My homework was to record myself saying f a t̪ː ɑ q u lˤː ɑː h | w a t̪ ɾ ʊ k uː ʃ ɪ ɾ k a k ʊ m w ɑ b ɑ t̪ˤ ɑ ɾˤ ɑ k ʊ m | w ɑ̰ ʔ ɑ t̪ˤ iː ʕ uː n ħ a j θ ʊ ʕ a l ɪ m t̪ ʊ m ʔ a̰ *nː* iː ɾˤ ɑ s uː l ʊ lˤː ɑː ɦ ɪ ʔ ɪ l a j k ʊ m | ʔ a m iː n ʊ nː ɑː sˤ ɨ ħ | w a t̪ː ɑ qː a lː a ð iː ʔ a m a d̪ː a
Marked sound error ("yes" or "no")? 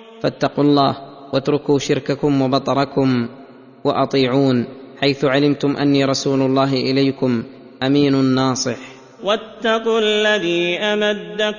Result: no